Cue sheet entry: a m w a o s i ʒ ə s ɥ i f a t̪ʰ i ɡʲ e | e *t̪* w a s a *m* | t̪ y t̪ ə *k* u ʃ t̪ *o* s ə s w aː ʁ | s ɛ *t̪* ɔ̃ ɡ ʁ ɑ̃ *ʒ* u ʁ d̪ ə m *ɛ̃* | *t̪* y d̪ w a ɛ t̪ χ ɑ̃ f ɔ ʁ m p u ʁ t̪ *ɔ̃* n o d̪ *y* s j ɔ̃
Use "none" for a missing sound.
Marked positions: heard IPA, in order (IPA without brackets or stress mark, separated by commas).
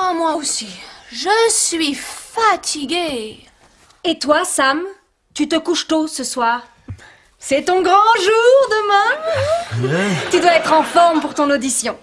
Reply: t̪, m, k, o, t̪, ʒ, ɛ̃, t̪, ɔ̃, i